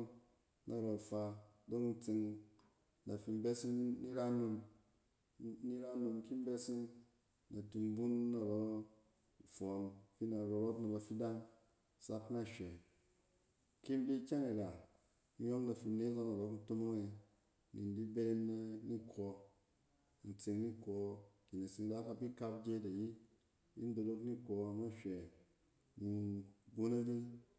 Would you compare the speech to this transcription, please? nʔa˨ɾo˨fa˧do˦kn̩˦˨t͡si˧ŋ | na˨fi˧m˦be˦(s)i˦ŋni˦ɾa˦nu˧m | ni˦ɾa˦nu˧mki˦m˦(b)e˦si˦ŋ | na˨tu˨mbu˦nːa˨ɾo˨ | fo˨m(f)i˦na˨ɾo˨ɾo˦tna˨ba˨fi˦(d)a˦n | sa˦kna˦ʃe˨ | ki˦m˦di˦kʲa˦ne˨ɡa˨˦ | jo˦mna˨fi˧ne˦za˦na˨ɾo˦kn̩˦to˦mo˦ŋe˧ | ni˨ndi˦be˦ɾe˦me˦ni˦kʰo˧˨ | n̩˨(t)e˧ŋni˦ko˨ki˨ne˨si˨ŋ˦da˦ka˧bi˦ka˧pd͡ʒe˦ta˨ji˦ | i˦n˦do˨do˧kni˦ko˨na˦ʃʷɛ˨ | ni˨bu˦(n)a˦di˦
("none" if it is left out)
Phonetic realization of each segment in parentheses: s, b, f, d, t͡s, n

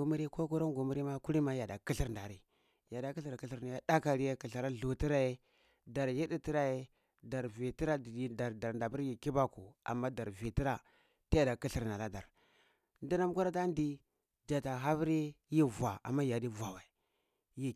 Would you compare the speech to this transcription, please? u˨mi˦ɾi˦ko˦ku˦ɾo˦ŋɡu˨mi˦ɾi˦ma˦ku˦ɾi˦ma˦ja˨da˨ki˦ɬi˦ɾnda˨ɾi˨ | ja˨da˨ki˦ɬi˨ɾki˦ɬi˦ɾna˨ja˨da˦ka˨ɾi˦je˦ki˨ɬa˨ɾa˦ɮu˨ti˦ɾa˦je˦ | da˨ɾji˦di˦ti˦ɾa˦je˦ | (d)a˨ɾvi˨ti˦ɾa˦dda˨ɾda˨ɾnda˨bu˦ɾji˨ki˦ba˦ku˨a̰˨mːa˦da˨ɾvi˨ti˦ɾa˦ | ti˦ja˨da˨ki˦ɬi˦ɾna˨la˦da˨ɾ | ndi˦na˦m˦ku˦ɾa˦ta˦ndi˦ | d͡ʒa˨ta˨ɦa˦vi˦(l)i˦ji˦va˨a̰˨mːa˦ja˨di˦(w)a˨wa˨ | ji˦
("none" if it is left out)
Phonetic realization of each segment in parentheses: d, ɾ, v

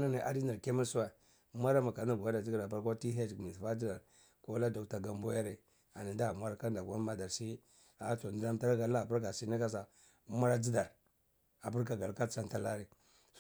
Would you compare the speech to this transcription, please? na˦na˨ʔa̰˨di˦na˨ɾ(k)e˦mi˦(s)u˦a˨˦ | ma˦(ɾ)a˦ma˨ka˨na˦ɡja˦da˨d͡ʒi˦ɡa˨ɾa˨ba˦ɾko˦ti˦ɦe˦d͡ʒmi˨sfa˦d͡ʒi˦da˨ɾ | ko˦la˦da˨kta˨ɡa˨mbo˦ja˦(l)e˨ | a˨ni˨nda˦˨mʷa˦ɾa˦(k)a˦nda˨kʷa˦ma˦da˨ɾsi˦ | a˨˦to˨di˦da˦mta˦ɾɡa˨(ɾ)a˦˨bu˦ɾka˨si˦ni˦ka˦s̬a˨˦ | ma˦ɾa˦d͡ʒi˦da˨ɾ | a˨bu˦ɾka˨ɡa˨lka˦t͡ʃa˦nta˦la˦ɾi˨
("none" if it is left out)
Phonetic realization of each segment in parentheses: k, s, ɾ, ɾ, k, l

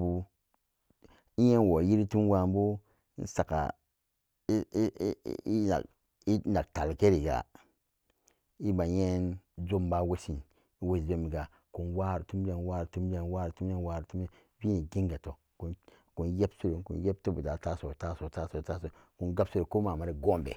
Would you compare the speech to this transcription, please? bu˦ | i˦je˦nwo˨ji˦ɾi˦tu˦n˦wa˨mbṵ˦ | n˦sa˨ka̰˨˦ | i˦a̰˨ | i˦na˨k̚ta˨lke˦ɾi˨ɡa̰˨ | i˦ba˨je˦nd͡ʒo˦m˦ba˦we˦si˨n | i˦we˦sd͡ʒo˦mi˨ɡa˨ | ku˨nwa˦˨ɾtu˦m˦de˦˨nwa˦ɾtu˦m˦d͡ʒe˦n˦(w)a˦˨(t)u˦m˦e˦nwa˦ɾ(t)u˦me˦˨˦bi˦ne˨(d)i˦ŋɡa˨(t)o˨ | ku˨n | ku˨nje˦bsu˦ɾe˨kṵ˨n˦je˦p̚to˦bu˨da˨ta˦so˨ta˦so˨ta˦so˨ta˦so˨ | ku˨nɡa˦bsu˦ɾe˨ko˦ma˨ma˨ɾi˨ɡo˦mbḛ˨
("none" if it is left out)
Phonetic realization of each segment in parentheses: w, t, t, ɡ, t

